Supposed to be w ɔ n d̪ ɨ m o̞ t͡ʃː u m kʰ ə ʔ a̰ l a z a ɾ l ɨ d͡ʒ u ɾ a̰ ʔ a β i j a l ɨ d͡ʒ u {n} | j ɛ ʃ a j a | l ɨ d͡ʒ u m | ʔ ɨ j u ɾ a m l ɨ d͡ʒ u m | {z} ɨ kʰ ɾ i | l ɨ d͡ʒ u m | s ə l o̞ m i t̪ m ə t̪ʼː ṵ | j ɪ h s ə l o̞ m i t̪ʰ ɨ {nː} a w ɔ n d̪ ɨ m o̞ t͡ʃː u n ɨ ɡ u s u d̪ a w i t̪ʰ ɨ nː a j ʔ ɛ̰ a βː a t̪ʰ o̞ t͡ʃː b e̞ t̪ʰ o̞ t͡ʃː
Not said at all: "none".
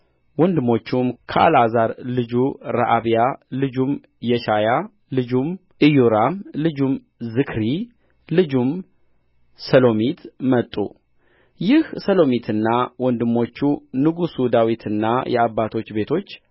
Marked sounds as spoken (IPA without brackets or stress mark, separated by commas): m, z, nː